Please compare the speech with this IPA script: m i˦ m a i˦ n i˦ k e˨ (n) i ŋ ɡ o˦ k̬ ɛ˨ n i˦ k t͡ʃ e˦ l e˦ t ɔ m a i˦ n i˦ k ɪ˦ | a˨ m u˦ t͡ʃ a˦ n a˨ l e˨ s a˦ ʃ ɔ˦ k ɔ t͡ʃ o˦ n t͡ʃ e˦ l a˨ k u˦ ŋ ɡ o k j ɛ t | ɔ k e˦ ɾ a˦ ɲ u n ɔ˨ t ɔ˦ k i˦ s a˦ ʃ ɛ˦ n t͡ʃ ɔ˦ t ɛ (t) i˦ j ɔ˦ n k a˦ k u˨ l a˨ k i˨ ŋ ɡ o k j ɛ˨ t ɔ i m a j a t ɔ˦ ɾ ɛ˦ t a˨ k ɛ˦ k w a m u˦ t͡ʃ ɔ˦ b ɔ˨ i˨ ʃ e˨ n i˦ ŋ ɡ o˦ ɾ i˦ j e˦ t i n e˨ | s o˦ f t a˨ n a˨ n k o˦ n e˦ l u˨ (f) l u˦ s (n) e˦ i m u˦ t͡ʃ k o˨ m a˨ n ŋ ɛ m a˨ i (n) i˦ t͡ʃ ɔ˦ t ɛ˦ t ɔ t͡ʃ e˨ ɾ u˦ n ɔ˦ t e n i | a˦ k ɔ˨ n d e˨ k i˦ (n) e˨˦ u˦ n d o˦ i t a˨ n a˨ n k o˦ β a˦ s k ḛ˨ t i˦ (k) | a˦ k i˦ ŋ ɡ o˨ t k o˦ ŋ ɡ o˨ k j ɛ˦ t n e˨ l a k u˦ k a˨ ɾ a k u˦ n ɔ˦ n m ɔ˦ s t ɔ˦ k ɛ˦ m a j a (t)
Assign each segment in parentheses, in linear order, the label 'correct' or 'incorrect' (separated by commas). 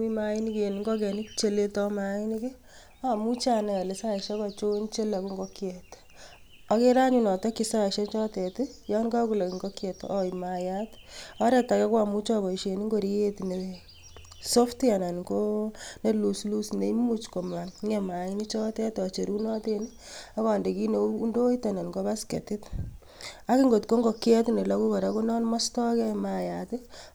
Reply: correct, correct, incorrect, correct, correct, correct, incorrect, correct